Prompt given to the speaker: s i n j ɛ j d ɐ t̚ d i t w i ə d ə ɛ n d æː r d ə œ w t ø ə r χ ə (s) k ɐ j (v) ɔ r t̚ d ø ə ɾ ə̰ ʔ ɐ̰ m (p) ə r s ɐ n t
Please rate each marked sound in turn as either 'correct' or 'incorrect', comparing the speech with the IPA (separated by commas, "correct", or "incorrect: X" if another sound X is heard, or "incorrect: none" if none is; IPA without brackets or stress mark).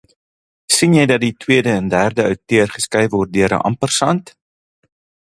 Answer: correct, correct, correct